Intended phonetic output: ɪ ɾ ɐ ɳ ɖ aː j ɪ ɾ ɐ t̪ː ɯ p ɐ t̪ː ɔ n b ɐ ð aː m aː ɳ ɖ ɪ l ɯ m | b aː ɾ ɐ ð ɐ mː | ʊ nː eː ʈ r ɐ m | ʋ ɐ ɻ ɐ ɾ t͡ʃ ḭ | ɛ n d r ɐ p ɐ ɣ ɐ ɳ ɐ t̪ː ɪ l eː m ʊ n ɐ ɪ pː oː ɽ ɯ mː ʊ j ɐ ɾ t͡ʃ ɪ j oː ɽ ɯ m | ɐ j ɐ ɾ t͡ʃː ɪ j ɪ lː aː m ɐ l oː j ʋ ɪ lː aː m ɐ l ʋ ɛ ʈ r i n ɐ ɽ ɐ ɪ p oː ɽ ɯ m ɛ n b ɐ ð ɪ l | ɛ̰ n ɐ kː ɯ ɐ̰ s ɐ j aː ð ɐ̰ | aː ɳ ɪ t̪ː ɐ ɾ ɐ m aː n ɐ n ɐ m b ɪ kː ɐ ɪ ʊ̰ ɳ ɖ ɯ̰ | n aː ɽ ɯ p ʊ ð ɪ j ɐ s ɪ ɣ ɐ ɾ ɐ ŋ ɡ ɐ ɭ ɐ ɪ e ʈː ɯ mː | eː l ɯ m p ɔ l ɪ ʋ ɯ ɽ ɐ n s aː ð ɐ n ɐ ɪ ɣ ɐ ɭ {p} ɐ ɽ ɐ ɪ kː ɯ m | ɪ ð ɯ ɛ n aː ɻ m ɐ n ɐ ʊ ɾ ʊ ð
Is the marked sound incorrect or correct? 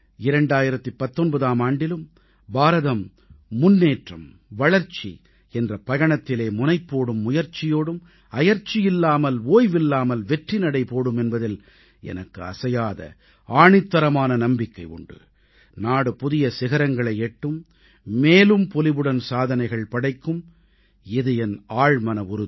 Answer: correct